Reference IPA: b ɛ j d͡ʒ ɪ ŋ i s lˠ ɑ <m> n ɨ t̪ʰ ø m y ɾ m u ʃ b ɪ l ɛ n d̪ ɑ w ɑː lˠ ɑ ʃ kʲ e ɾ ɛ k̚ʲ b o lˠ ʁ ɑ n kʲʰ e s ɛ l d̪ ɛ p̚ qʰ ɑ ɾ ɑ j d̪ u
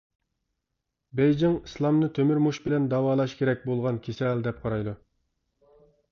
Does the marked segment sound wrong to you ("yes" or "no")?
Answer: no